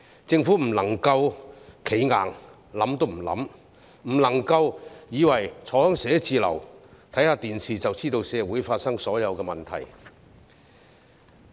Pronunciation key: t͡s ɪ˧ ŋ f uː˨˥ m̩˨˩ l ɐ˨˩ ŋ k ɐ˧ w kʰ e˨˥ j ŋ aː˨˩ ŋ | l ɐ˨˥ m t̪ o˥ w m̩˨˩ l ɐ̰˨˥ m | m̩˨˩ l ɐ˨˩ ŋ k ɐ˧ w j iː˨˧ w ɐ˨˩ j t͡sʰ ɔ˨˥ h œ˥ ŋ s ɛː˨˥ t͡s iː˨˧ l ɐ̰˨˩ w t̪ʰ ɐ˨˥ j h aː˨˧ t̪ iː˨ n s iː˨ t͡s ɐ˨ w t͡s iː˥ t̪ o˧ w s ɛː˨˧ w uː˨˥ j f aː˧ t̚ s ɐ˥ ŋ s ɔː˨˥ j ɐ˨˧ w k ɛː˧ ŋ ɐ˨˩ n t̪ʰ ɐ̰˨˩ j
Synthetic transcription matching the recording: t͡s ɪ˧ ŋ f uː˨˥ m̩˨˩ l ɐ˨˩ ŋ k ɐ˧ w kʰ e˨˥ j ŋ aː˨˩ ŋ | l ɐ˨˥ m t̪ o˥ w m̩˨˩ l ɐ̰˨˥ m | m̩˨˩ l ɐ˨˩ ŋ k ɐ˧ w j iː˨˧ w ɐ˨˩ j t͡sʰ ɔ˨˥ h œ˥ ŋ s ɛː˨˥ t͡s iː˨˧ l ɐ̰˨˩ w t̪ʰ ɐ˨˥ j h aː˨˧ t̪ iː˨ n s iː˨ t͡s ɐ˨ w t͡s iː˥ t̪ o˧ w s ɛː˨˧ w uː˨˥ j f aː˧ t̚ s ɐ˥ ŋ s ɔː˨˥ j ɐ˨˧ w k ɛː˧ m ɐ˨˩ n t̪ʰ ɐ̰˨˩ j